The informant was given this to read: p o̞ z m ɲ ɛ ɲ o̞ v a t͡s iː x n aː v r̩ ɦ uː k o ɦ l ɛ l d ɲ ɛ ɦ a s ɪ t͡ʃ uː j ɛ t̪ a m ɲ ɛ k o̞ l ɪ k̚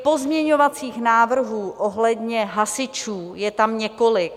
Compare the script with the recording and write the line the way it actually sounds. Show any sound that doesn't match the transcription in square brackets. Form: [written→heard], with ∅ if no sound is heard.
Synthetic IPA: p o̞ z m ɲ ɛ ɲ o̞ v a t͡s iː x n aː v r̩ ɦ uː [k→ʔ] o ɦ l ɛ [l→∅] d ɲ ɛ ɦ a s ɪ t͡ʃ uː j ɛ t̪ a m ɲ ɛ k o̞ l ɪ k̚